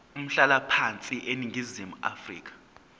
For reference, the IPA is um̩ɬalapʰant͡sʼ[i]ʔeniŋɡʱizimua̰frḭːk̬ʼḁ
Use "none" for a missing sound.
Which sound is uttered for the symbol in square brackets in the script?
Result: i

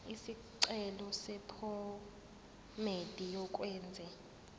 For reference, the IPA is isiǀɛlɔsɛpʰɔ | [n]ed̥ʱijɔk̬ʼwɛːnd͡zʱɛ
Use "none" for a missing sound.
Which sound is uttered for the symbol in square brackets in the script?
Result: m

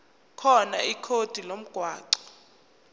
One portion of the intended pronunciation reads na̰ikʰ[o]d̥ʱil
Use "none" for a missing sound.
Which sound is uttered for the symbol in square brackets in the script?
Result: o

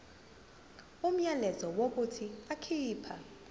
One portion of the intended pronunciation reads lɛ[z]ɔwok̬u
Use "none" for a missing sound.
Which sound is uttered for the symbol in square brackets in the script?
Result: z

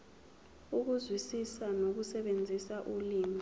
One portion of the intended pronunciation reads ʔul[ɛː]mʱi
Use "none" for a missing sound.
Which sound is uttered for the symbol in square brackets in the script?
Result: iː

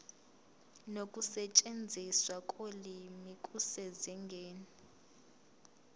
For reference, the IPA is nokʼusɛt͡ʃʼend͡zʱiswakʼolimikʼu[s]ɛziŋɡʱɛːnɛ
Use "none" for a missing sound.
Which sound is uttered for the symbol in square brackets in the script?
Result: s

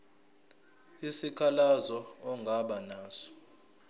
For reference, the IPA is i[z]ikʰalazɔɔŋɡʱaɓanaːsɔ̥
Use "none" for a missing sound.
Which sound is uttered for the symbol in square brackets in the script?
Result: s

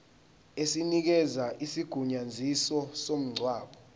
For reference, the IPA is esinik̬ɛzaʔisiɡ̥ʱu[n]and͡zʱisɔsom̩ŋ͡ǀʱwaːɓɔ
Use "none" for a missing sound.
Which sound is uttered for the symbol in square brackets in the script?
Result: ɲ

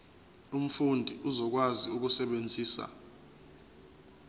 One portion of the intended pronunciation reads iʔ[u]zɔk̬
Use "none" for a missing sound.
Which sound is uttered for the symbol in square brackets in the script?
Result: u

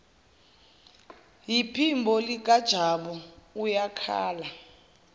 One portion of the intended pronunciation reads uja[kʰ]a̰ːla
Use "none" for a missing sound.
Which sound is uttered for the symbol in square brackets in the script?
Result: kʰ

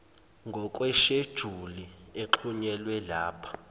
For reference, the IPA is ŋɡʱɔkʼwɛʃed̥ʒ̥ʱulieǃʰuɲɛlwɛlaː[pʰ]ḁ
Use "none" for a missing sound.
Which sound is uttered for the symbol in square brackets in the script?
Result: pʰ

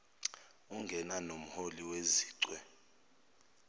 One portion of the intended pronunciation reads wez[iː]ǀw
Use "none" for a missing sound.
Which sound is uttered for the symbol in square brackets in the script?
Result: iː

